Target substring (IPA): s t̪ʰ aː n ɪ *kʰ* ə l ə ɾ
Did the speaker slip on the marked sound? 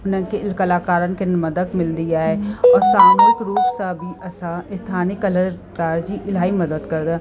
yes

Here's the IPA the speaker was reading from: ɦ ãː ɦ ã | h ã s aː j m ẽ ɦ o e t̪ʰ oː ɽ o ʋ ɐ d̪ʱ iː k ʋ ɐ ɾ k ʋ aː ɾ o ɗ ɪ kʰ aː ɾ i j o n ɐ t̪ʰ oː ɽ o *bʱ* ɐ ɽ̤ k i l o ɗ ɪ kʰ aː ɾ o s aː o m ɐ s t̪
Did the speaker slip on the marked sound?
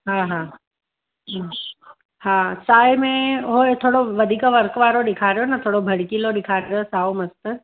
no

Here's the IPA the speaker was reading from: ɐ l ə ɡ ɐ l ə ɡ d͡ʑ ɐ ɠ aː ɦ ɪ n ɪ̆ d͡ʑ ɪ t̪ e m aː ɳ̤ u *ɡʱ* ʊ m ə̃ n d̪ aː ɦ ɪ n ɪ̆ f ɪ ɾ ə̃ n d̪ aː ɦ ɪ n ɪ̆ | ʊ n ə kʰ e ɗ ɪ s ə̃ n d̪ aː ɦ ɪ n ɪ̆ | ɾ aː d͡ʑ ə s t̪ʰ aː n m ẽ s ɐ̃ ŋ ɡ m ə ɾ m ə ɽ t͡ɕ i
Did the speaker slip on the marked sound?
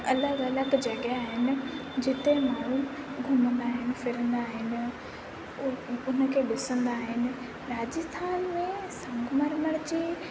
no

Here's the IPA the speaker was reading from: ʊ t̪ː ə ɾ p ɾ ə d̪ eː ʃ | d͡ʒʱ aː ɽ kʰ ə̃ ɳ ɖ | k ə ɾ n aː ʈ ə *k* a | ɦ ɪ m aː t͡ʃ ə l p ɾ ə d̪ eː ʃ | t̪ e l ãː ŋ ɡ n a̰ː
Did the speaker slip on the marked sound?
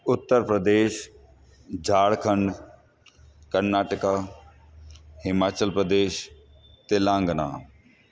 no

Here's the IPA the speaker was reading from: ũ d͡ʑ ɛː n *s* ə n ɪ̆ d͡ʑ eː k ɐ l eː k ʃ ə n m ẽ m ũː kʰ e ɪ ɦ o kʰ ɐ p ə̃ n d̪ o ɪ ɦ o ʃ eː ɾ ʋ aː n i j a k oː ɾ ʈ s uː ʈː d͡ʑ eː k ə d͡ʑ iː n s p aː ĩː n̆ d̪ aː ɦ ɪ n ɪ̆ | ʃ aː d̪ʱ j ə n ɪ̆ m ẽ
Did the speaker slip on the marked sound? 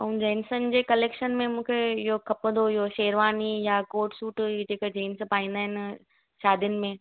no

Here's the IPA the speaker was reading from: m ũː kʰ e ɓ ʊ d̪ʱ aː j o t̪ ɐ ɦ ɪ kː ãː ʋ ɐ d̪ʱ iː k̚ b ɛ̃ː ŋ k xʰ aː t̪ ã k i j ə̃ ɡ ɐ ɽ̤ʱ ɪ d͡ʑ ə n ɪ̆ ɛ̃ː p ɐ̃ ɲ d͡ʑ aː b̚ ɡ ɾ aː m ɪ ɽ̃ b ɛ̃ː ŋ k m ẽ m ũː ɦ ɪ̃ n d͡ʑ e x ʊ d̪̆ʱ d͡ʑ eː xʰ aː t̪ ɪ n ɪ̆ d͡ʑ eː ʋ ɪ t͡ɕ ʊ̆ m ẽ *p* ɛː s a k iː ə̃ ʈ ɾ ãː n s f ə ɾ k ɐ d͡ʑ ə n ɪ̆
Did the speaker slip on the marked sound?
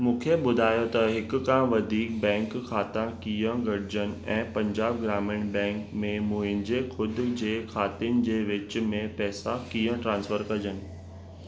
no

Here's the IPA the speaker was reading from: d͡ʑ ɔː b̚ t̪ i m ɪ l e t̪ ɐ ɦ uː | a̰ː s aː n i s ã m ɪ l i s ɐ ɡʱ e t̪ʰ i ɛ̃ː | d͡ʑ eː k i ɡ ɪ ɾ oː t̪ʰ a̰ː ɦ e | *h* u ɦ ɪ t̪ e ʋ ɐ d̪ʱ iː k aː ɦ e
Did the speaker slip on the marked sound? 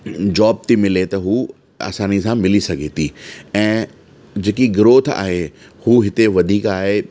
no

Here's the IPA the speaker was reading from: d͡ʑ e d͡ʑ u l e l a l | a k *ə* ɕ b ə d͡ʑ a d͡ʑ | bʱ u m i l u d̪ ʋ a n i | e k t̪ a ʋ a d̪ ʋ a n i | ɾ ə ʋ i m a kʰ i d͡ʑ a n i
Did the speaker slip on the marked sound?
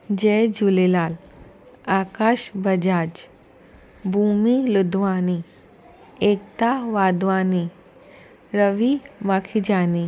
yes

